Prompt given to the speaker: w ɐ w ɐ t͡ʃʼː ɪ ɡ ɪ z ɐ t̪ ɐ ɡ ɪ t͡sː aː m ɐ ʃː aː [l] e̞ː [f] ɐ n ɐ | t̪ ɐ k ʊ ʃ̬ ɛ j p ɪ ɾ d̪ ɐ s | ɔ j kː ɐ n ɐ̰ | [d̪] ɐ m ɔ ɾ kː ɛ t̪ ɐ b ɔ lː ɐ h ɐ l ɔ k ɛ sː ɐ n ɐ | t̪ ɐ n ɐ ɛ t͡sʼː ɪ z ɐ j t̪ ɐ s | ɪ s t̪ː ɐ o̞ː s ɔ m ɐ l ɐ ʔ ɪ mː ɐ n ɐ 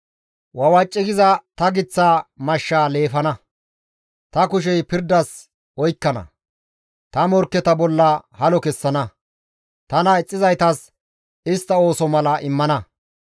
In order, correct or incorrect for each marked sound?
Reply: correct, correct, incorrect

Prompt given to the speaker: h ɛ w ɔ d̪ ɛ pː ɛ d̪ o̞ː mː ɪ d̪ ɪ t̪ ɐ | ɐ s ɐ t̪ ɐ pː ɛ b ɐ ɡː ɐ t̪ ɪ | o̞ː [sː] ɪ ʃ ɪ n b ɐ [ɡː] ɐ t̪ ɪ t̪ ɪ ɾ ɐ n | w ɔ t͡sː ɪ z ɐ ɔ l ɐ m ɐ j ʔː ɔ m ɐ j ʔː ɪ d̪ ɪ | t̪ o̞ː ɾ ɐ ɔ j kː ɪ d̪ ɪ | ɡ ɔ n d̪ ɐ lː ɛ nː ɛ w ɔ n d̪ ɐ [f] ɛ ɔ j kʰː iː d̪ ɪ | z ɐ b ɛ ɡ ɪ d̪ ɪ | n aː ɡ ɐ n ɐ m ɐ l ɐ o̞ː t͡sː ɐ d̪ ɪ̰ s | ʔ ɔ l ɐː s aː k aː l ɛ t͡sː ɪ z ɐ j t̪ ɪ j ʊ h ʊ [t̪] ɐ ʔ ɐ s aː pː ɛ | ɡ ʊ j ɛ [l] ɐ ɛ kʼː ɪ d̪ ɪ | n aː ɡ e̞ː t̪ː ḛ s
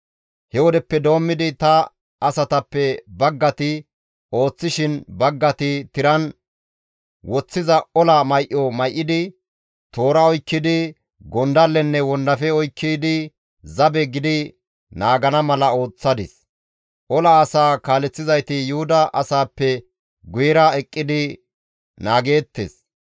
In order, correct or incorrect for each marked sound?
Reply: incorrect, correct, correct, incorrect, incorrect

